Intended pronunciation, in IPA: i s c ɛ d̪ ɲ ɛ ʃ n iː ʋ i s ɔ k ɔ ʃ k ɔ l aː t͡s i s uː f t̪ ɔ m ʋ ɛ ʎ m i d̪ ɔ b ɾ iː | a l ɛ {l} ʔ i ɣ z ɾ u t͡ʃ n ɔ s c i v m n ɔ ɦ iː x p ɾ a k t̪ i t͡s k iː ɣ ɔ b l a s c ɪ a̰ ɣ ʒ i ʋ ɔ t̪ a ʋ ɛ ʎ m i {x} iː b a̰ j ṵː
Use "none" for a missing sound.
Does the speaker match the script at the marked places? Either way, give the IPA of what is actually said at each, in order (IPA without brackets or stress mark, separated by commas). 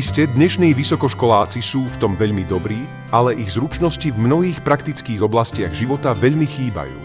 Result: none, x